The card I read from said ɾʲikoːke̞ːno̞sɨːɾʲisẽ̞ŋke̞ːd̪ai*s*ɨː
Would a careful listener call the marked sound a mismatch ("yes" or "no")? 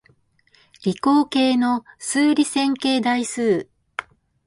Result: no